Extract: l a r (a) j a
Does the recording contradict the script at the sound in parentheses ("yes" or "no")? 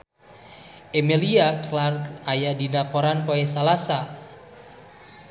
no